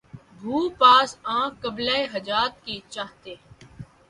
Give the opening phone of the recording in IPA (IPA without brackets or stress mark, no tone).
bʱ